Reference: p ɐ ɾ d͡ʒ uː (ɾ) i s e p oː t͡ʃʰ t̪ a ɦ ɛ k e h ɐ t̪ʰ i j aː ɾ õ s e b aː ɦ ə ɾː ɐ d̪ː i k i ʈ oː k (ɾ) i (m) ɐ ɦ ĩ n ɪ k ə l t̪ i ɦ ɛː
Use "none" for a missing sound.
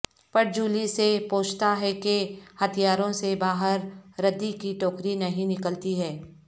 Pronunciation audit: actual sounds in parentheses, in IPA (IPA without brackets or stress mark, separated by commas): l, ɾ, n